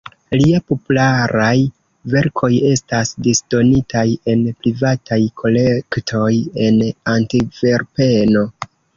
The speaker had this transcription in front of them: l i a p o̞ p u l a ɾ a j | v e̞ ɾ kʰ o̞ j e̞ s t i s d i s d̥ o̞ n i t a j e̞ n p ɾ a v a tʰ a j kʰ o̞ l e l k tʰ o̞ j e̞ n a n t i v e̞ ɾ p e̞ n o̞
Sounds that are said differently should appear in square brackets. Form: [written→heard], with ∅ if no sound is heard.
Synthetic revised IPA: l i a p o̞ p u l a ɾ a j | v e̞ ɾ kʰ o̞ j e̞ s t [i→a] s d i s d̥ o̞ n i t a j e̞ n p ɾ [a→i] v a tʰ a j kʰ o̞ l e [l→∅] k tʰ o̞ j e̞ n a n t i v e̞ ɾ p e̞ n o̞